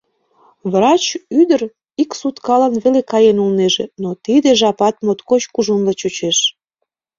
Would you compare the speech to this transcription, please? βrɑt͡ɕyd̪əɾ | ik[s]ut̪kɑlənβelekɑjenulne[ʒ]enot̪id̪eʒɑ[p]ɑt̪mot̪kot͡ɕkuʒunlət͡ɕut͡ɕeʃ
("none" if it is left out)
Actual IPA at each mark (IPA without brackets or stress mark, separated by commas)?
s, ʒ, p